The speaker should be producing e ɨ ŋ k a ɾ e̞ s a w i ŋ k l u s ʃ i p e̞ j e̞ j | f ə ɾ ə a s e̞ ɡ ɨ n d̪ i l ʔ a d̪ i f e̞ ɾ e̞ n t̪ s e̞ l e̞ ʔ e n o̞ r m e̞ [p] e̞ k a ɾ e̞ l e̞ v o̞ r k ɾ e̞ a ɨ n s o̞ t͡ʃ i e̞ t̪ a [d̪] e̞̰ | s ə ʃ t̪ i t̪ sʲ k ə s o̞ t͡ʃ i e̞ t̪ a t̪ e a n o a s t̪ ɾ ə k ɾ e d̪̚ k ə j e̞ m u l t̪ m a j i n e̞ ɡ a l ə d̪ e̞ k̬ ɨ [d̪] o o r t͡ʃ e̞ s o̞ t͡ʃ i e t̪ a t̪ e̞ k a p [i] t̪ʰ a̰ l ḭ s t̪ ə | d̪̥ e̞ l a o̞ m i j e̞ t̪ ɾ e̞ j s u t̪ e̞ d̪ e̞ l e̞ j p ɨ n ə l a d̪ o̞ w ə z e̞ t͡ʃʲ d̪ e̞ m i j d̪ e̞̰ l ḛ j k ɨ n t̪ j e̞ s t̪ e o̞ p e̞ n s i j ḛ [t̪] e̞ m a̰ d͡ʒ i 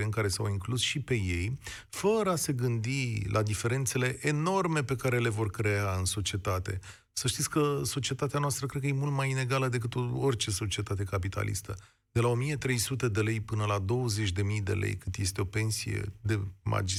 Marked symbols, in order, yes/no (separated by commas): yes, no, no, yes, no